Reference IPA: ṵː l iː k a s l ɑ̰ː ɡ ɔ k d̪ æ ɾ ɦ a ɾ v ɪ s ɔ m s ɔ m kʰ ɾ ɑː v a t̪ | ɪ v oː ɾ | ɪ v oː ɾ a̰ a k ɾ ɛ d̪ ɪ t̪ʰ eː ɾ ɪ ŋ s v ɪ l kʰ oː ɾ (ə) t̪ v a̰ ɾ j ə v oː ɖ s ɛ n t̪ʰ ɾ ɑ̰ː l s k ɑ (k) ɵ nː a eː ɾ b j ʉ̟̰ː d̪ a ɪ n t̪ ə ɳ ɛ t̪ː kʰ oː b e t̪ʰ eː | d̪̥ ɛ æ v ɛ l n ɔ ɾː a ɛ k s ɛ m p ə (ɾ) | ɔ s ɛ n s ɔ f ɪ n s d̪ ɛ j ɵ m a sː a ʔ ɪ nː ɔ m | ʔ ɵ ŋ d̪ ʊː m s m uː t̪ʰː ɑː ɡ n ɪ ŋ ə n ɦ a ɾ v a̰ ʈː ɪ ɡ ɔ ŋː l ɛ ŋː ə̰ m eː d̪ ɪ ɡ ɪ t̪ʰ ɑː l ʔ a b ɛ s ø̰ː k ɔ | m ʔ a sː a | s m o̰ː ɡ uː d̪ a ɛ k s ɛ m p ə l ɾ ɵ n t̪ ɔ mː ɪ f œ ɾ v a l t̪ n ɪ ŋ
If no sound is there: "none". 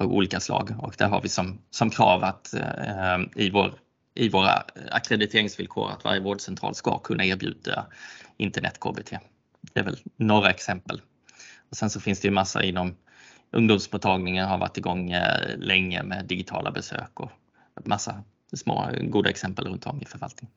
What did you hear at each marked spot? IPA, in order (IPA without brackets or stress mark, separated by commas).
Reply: a, kʰ, l